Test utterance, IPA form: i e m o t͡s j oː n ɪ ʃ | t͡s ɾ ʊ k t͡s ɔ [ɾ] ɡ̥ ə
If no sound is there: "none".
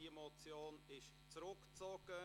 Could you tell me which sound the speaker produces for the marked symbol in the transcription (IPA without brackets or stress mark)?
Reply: none